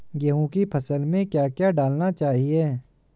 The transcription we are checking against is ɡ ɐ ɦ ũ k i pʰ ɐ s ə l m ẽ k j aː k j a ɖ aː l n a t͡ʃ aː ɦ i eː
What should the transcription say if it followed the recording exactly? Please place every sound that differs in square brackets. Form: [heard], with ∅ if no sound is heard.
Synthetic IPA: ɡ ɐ ɦ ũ k i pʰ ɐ s ə l m ẽ k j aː k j a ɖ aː l n a t͡ʃ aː ɦ i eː